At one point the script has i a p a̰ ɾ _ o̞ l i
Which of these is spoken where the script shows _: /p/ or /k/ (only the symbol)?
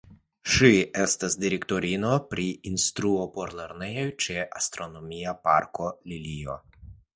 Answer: k